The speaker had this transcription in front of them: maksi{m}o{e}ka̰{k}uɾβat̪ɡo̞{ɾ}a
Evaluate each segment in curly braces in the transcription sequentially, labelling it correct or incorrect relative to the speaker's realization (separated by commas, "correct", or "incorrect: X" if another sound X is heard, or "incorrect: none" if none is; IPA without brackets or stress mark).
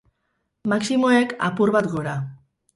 correct, correct, incorrect: p, correct